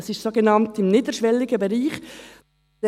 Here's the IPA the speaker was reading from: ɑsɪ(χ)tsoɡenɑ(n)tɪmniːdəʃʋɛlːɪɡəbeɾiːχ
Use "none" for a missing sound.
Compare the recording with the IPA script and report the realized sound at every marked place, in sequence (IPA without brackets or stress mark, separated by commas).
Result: ʃ, n